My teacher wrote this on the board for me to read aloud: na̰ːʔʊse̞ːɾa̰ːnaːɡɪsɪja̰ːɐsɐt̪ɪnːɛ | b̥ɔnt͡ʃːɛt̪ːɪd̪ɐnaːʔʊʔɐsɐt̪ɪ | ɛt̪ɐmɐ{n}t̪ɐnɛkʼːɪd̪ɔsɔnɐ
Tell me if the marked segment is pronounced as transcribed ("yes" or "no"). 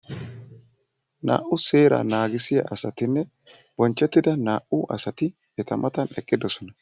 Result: no